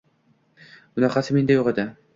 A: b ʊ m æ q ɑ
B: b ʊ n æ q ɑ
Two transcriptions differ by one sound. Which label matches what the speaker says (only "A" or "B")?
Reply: B